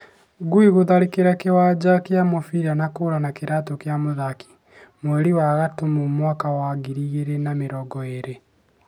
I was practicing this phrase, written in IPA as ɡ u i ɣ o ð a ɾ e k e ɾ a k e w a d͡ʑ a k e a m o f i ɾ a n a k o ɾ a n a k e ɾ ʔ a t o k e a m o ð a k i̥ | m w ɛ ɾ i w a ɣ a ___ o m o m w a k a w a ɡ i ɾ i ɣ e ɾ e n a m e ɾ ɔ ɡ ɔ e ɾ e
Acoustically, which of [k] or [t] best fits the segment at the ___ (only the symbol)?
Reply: t